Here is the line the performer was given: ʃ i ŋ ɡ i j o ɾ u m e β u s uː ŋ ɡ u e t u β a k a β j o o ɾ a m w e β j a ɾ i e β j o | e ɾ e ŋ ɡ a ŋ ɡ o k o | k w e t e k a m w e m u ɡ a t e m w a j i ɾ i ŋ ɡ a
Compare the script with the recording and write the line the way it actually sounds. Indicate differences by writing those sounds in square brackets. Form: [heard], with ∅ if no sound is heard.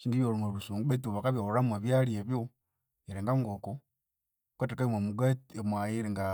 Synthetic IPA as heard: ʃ i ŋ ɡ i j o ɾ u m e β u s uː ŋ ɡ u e t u β a k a β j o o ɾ a m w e β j a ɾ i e β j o | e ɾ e ŋ ɡ a ŋ ɡ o k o | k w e t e k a m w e m u ɡ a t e m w a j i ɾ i ŋ ɡ a